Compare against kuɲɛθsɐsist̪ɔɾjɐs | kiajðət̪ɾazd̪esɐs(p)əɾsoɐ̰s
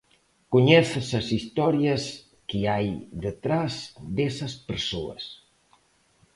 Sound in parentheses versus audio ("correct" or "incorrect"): correct